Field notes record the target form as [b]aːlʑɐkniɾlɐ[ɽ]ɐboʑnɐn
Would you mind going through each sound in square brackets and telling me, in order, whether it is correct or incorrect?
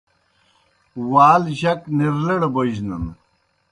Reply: incorrect, correct

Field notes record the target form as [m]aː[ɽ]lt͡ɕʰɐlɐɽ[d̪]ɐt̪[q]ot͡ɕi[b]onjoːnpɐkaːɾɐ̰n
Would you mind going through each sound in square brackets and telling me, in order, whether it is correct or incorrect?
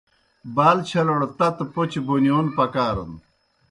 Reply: incorrect, incorrect, incorrect, incorrect, correct

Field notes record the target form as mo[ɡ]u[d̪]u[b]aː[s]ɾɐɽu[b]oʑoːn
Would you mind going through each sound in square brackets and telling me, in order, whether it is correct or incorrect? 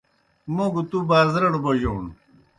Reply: correct, incorrect, correct, incorrect, correct

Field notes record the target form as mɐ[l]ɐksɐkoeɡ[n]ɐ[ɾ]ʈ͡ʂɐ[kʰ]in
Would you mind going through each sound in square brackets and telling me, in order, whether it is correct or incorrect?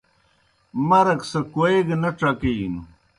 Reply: incorrect, correct, incorrect, incorrect

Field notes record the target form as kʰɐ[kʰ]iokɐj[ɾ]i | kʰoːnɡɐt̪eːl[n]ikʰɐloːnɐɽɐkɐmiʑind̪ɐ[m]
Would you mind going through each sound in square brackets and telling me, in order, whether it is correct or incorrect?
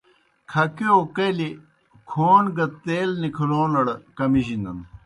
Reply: incorrect, incorrect, correct, incorrect

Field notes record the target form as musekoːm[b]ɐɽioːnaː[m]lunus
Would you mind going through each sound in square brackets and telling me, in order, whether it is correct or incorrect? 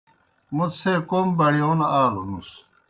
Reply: correct, incorrect

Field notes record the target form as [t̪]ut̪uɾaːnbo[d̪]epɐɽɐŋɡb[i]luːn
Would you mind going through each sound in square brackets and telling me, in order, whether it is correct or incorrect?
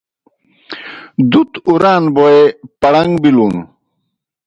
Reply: incorrect, incorrect, correct

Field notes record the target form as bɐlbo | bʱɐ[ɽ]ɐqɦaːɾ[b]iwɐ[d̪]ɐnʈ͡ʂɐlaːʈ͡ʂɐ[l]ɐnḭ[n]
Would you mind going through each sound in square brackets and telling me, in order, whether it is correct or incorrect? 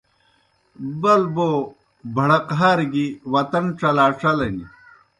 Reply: correct, incorrect, incorrect, correct, incorrect

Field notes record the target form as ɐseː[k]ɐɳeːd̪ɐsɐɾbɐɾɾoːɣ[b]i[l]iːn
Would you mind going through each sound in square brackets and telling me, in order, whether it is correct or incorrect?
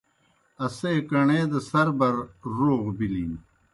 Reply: correct, correct, correct

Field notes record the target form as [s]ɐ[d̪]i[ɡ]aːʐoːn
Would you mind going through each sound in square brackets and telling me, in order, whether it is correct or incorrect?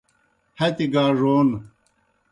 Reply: incorrect, incorrect, correct

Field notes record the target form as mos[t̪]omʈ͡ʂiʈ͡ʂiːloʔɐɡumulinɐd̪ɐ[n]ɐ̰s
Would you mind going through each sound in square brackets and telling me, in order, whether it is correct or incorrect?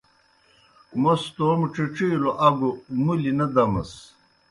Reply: correct, incorrect

